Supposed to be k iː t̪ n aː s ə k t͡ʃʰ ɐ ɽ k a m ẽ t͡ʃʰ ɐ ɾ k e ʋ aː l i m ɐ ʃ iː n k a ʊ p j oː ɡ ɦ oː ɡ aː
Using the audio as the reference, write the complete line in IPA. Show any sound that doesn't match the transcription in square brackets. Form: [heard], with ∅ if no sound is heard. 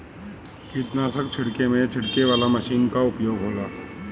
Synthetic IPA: k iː t̪ n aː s ə k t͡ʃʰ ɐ ɽ k [e] m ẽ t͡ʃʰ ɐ [ɽ] k e ʋ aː l [a] m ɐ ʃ iː n k a ʊ p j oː ɡ ɦ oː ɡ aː